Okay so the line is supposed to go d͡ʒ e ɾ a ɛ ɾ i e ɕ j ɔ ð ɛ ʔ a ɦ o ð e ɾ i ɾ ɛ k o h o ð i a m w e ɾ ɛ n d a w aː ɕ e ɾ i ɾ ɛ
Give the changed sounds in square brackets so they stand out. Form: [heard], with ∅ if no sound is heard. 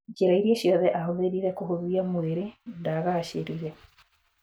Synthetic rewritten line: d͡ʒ e ɾ a [i] ɾ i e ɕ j ɔ ð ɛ ʔ a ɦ o ð e ɾ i ɾ ɛ k o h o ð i a m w e ɾ [e] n d a [ɣ] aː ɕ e ɾ i ɾ ɛ

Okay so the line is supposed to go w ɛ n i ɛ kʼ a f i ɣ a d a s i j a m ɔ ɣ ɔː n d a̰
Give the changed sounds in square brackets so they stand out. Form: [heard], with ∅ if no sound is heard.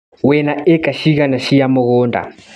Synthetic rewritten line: w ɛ n [a] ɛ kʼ a [ʃ] i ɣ a [n] a [ʃ] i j a m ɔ ɣ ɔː n d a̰

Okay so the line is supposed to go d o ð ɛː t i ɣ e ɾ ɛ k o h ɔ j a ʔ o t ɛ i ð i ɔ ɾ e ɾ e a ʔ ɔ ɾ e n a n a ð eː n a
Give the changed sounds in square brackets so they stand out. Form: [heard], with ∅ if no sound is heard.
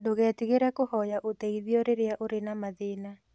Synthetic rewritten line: d o [ɣ] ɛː t i ɣ e ɾ ɛ k o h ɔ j a ʔ o t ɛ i ð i ɔ ɾ e ɾ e a ʔ [o] ɾ e n a [m] a ð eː n a

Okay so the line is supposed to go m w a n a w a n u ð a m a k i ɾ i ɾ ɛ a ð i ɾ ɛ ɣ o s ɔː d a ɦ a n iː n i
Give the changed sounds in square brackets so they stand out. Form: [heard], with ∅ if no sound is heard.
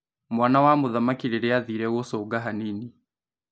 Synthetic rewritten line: m w a n a w a [m] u ð a m a k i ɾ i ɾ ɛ a ð i ɾ ɛ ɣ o s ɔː [ɡ] a ɦ a n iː n i

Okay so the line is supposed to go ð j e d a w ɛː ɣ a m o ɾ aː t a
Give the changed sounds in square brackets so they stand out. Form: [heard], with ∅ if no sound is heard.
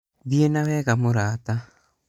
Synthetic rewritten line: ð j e [n] a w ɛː ɣ a m o ɾ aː t a

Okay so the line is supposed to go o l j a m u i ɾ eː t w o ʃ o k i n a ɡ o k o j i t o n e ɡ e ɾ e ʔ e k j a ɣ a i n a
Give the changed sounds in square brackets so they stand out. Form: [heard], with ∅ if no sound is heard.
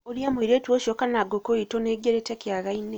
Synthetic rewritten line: o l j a m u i ɾ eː t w o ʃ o k [a] n a ɡ o k o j i t o n e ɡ e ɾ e [t] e k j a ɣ a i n [e]

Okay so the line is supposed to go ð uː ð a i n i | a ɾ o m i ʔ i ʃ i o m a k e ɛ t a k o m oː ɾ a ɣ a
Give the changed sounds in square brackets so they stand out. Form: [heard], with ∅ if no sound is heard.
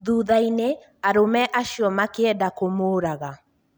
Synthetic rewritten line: ð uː ð a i n [e] | a ɾ o m [ɛ] ʔ [a] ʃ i [ɔ] m a k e ɛ [d] a k o m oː ɾ a ɣ a

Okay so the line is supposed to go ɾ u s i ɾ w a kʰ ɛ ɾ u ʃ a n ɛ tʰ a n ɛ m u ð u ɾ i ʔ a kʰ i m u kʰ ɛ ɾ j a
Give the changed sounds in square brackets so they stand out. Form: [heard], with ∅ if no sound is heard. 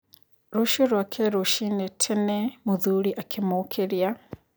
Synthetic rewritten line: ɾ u [ʃ] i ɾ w a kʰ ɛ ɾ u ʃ [i] n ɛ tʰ [ɛ] n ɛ m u ð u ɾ i ʔ a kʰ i m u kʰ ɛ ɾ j a

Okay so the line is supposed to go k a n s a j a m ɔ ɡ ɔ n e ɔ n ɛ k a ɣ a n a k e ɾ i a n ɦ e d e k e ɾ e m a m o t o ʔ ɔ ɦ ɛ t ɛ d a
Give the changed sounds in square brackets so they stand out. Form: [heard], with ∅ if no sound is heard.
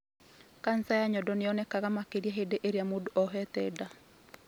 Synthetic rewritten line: k a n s a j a [ɲ] ɔ [d] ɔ n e ɔ n ɛ k a ɣ a [m] a k e ɾ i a [∅] ɦ e d e [ʔ] e ɾ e [∅] a m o [d] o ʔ ɔ ɦ ɛ t ɛ d a

